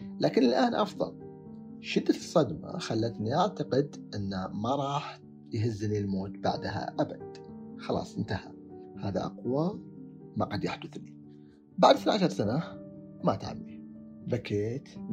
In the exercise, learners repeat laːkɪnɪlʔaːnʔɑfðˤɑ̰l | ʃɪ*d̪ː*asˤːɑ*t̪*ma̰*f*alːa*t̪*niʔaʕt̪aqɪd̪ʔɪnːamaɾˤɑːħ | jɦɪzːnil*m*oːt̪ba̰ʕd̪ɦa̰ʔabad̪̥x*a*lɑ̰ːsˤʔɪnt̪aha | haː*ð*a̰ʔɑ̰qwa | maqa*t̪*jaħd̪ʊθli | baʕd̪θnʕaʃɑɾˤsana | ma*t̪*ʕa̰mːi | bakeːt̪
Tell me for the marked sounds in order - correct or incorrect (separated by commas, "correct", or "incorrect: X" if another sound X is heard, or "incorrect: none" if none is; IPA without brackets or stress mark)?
correct, incorrect: d̪, incorrect: x, correct, correct, incorrect: ɑ, correct, incorrect: d̪, correct